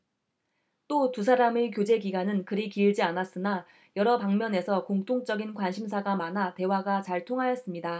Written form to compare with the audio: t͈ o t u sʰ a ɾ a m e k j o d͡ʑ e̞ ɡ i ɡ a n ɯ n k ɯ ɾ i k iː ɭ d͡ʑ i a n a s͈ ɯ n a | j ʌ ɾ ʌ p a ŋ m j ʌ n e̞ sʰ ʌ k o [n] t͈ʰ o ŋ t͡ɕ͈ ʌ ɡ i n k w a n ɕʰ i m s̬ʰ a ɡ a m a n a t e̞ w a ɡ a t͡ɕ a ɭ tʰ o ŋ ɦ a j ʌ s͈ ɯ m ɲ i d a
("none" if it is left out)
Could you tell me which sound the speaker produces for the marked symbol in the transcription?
ŋ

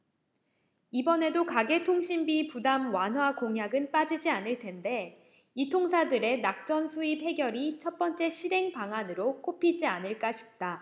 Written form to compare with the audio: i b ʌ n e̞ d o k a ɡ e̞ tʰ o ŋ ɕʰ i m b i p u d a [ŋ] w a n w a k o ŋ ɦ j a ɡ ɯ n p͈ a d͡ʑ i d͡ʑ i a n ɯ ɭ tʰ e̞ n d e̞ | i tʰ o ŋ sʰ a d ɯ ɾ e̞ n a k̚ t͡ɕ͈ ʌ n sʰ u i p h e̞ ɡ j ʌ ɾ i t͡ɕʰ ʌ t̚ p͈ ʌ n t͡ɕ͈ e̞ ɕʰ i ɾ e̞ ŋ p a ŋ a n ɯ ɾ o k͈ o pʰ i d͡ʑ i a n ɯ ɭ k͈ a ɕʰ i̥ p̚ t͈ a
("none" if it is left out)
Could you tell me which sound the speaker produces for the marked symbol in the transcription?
m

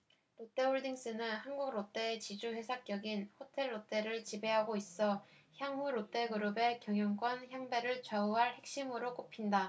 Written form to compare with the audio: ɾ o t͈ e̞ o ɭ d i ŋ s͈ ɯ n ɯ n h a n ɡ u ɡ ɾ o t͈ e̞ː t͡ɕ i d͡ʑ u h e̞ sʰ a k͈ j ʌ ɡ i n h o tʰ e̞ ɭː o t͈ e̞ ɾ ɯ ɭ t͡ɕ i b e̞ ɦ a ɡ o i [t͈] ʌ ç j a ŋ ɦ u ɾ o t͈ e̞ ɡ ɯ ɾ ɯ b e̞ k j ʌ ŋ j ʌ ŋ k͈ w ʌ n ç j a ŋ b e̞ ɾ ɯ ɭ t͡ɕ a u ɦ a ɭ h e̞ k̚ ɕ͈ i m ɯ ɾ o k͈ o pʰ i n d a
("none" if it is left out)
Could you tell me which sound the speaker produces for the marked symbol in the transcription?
s͈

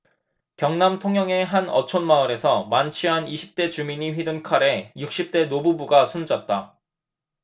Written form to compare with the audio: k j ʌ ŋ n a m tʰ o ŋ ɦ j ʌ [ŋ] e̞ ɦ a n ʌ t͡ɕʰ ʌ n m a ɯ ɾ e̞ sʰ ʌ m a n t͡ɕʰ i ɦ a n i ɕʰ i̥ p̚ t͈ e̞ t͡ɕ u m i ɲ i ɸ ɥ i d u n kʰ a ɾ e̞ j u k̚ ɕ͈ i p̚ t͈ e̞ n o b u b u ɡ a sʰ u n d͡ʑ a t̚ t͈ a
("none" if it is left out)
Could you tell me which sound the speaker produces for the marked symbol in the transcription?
ŋ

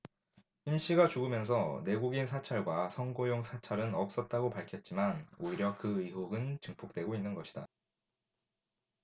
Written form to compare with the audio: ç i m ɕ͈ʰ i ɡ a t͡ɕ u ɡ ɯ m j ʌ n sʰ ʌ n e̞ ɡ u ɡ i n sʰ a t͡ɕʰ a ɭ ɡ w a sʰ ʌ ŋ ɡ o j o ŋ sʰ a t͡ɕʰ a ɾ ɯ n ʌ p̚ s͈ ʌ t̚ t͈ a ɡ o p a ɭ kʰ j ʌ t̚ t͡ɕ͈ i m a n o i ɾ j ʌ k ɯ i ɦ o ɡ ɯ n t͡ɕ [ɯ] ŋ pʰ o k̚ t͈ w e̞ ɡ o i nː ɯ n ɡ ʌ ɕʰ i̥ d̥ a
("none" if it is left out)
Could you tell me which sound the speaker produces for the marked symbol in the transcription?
ɯ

